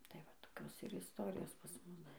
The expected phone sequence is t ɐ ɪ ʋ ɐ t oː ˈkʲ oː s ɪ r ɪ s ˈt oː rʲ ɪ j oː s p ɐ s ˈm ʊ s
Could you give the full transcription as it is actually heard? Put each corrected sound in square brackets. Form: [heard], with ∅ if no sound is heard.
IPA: t ɐ ɪ ʋ ɐ t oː ˈkʲ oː s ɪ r ɪ s ˈt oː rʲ ɪ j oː s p ɐ s ˈm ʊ s